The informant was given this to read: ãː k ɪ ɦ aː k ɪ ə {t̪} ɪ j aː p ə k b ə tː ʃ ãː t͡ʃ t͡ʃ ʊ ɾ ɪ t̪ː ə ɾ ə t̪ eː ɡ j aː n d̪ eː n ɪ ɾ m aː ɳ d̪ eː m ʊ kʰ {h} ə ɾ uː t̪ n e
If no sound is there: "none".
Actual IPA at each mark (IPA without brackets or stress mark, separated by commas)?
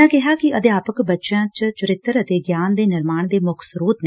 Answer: d̪, s